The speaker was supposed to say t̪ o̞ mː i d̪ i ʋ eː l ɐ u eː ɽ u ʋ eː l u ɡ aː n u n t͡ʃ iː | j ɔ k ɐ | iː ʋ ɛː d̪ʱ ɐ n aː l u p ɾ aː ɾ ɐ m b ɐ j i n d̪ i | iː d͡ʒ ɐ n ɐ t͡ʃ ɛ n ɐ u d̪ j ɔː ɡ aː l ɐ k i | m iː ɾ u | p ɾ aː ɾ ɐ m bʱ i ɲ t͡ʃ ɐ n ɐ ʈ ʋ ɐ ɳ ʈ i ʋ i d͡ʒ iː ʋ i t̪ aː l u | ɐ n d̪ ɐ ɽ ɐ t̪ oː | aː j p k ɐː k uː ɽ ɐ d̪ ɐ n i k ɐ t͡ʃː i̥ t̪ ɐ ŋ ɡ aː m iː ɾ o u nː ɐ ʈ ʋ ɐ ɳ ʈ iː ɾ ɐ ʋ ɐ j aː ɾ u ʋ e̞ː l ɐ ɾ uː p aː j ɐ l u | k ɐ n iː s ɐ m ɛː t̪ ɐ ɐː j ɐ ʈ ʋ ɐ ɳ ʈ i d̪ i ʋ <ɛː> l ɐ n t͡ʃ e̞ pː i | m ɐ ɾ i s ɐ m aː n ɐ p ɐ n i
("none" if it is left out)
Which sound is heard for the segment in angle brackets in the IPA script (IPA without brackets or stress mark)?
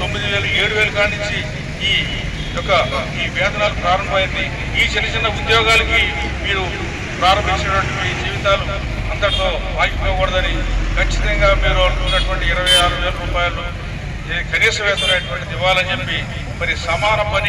aː